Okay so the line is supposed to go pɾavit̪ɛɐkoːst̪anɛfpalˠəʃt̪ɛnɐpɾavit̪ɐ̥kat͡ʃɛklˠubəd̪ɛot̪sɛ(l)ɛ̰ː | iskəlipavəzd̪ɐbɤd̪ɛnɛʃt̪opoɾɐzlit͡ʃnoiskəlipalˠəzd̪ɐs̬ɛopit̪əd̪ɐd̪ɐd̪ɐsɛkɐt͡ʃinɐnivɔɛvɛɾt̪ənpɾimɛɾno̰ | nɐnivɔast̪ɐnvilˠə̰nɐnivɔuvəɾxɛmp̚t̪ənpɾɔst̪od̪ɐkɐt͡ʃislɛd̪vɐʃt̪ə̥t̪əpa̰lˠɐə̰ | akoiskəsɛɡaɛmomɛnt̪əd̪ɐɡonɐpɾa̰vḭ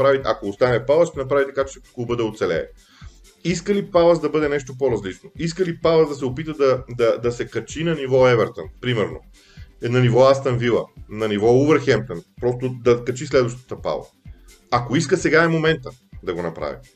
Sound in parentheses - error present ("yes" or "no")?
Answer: no